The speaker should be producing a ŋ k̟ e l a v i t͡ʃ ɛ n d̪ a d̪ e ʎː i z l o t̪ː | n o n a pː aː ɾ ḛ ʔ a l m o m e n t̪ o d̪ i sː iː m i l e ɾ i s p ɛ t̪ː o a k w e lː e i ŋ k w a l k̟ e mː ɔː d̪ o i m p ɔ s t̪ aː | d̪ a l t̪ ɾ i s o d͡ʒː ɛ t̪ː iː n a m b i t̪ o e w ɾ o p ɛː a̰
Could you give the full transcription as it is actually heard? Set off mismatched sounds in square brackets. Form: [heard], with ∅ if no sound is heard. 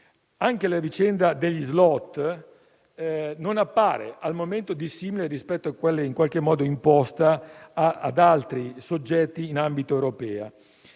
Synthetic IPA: a ŋ k̟ e l a v i t͡ʃ ɛ n d̪ a d̪ e ʎː i z l [ɔ] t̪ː | n o n a pː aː ɾ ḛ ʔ a l m o m e n t̪ o d̪ i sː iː m i l e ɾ i s p ɛ t̪ː o a k w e lː e i ŋ k w a l k̟ e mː ɔː d̪ o i m p ɔ s t̪ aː | d̪ a l t̪ ɾ i s o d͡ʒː ɛ t̪ː iː n a m b i t̪ o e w ɾ o p ɛː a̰